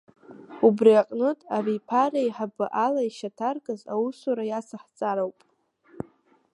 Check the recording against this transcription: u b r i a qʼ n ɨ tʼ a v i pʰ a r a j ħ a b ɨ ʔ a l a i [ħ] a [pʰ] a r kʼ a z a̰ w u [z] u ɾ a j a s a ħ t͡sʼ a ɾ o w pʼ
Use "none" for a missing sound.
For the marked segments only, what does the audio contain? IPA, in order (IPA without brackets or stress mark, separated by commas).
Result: ʃ, tʰ, s